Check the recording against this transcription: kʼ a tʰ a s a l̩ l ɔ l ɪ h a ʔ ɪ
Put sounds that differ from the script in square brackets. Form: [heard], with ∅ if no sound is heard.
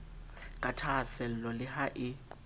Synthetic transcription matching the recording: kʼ a tʰ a s [ɛ] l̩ l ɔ l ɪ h a ʔ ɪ